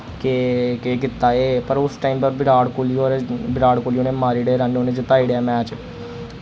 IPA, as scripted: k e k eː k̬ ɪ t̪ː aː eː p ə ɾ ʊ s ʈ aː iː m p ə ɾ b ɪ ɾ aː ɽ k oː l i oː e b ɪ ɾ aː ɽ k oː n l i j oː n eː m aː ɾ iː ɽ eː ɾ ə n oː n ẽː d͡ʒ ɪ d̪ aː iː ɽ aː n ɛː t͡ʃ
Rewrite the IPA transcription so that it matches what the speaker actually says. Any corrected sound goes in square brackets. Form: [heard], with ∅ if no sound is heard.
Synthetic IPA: k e k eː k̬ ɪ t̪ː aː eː p ə ɾ ʊ s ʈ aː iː m p ə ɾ b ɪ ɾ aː ɽ k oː l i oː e b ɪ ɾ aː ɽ k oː [∅] l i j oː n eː m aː ɾ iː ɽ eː ɾ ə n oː n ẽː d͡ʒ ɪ [t̪] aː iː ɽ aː [m] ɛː t͡ʃ